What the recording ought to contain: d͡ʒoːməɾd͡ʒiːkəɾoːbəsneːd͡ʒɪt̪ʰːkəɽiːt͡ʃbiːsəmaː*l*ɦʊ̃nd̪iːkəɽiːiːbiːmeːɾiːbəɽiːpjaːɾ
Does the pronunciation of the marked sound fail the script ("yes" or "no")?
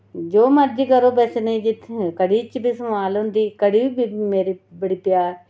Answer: no